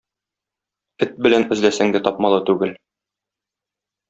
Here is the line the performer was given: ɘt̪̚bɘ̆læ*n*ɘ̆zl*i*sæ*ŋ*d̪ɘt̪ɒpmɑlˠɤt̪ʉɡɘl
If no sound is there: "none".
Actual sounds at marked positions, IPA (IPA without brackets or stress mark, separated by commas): n, æ, ŋ